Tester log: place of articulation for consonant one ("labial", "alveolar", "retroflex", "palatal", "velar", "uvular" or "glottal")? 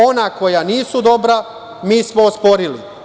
alveolar